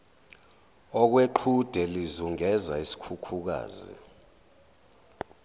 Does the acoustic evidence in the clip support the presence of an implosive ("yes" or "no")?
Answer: no